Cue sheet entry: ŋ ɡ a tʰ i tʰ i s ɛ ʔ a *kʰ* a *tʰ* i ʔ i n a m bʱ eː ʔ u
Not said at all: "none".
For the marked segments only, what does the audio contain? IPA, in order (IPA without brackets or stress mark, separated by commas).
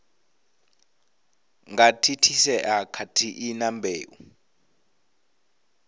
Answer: kʰ, tʰ